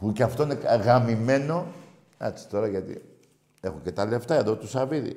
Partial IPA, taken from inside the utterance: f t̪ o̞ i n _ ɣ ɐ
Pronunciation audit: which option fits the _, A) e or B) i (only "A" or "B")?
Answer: A